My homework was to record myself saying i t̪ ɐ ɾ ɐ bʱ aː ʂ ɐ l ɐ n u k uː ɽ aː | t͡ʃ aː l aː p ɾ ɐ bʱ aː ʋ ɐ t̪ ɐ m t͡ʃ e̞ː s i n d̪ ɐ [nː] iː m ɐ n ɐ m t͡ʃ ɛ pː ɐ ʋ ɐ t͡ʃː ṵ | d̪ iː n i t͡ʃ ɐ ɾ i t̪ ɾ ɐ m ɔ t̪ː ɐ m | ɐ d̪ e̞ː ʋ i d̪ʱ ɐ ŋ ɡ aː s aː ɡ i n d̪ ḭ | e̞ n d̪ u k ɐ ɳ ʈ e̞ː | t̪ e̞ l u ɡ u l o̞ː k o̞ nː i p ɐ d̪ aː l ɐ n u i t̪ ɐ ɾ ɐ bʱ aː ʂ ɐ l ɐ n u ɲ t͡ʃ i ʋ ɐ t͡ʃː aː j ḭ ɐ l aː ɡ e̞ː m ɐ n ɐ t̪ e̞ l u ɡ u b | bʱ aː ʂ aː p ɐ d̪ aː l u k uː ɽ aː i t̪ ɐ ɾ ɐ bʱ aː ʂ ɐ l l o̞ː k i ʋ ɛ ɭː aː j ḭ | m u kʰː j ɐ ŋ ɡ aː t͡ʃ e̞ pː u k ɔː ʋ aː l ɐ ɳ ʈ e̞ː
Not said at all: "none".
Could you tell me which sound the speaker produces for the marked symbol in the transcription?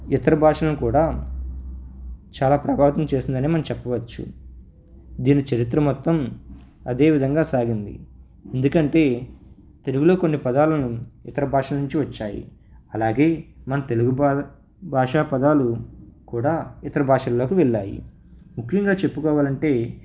n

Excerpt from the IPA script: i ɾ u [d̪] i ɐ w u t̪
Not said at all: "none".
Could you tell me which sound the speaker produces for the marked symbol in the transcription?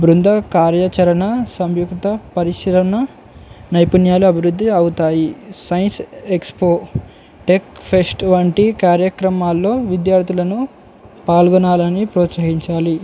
d̪ː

